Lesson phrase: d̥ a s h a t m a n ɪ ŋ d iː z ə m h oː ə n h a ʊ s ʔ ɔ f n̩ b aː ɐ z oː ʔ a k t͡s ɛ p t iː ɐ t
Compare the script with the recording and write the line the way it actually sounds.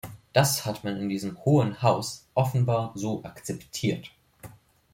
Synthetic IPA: d̥ a s h a t m a n ɪ n d iː z ə m h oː ə n h a ʊ s ʔ ɔ f n̩ b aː ɐ z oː ʔ a k t͡s ɛ p tʰ iː ɐ t